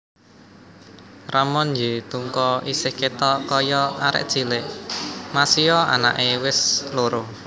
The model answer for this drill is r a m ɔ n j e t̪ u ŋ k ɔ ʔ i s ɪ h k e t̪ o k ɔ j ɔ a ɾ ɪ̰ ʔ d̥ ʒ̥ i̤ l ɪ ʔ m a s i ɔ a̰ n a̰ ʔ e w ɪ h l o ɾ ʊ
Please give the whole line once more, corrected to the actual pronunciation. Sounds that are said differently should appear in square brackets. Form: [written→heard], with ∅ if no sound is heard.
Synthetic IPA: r a m ɔ n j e t̪ u ŋ k ɔ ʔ i s ɪ h k e t̪ [o→ɔ] k ɔ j ɔ a ɾ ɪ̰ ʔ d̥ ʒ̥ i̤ l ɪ ʔ m a s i ɔ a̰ n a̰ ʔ e w ɪ [h→s] l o ɾ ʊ